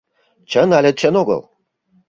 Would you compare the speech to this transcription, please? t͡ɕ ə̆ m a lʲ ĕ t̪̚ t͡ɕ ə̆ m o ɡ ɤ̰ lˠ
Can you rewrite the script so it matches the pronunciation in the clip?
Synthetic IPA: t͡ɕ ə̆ n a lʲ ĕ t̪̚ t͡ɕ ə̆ n o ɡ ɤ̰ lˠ

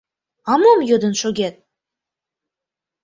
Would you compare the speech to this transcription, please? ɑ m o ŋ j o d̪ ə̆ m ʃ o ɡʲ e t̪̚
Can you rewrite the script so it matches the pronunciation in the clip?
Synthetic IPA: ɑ m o m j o d̪ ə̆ n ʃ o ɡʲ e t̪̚

